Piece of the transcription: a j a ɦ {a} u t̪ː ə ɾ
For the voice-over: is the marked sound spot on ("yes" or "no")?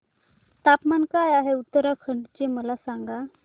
no